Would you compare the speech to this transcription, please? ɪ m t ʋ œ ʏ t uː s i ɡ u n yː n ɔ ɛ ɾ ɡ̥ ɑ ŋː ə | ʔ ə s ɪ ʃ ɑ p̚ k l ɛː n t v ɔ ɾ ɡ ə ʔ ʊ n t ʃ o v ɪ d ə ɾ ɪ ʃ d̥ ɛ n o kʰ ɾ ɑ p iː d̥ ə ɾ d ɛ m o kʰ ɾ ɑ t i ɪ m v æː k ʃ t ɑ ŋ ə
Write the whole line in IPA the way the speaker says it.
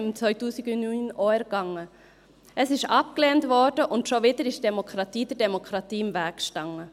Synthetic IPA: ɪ m t͡s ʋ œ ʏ t uː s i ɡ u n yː n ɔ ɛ ɾ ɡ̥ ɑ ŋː ə | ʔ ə s ɪ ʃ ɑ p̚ k l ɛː n t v ɔ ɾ d ə ʔ ʊ n t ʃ o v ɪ d ə ɾ ɪ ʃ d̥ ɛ m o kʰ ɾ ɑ t iː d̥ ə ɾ d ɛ m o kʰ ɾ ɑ t iː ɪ m v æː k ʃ t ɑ ŋ ə

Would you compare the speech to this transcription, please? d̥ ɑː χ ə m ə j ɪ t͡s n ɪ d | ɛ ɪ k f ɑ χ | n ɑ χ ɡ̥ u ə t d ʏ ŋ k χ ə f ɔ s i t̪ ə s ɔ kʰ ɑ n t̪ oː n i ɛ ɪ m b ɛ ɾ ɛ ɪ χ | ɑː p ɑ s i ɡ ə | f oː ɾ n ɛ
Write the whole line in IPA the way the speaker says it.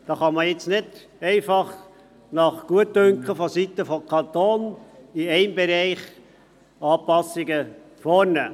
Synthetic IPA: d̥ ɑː χ ɑ m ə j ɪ t͡s n ɪ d | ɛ ɪ f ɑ χ | n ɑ χ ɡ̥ u ə t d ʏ ŋ k χ ə f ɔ s i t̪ ə f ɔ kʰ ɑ n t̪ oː n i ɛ ɪ m b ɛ ɾ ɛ ɪ χ | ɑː p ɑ s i ɡ ə | f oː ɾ n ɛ

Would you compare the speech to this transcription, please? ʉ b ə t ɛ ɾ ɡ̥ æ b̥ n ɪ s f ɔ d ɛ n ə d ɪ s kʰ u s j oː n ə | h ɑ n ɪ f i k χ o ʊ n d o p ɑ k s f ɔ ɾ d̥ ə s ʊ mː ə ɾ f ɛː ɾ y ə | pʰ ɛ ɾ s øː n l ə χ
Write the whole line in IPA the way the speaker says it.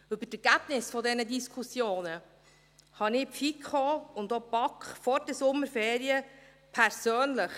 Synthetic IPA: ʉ b ə t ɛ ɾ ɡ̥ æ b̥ n ɪ s f ɔ d ɛ n ə d i s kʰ u s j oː n ə | h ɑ n ɪ f i k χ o ʊ n d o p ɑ k χ f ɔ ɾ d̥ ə s ʊ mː ə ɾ f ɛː ɾ i ə | pʰ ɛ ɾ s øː n l ə χ

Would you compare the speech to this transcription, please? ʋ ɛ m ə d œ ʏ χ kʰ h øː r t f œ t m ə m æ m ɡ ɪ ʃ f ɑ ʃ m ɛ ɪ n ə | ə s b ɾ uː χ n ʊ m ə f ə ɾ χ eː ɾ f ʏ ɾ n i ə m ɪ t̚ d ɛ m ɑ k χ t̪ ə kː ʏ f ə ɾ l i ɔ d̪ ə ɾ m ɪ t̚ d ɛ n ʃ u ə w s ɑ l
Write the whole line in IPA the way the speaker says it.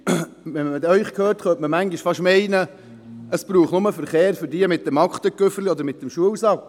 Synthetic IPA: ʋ ɛ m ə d œ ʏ χ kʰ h øː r t χ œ t m ə m æ ŋ ɡ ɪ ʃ f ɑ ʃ m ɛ ɪ n ə | ə s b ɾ uː χ n ʊ m ə f ə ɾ χ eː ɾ f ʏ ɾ d i ə m ɪ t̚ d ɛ m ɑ k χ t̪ ə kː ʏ f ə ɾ l i ɔ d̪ ə ɾ m ɪ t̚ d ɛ m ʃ u ə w s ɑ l

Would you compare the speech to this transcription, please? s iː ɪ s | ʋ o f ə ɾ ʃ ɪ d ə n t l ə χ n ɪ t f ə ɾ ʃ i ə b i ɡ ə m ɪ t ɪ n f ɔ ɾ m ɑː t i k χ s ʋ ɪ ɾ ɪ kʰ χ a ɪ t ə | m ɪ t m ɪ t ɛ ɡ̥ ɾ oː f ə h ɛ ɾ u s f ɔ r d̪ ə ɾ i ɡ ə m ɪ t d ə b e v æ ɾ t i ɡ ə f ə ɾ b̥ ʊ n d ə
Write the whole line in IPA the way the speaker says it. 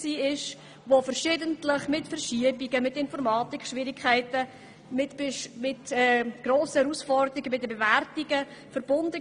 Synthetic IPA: s iː ɪ ʃ | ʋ o f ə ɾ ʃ ɪ d ə n t l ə χ m ɪ t f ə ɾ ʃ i ə b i ɡ ə m ɪ t ɪ n f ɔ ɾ m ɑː t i k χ ʃ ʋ ɪ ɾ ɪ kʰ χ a ɪ t ə | m ɪ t m ɪ t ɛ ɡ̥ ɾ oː s ə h ɛ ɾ u s f ɔ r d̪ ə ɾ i ɡ ə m ɪ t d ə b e v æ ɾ t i ɡ ə f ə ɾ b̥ ʊ n d ə

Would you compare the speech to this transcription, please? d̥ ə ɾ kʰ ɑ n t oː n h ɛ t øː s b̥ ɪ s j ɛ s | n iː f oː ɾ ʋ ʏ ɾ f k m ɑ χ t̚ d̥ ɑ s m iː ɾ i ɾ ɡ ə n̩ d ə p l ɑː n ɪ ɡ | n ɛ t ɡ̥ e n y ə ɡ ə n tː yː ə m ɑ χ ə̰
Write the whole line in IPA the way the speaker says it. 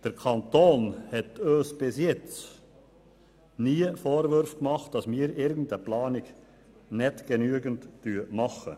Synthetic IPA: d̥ ə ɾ kʰ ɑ n t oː n h ɛ t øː s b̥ ɪ s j ɛ t͡s | n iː f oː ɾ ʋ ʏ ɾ f k m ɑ χ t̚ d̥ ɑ s m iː ɾ ɪ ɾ ɡ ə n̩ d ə p l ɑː n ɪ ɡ | n ɛ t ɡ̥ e n y ə ɡ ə n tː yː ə m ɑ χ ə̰

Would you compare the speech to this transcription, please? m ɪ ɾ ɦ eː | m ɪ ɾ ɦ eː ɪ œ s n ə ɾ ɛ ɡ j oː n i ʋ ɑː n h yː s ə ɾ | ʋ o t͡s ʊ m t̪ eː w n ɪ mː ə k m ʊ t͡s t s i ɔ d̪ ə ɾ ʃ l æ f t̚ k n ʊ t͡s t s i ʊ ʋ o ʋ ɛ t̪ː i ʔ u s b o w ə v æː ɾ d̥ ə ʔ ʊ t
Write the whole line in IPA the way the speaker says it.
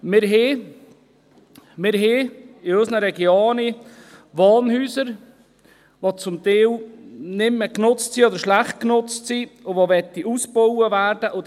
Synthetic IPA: m ɪ ɾ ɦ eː | m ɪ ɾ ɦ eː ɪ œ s n ə ɾ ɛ ɡ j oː n i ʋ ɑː n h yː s ə ɾ | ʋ o t͡s ʊ m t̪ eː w n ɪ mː ə k n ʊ t͡s t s i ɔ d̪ ə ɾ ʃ l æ χ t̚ k n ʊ t͡s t s i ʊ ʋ o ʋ ɛ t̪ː i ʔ u s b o w ə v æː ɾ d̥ ə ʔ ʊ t

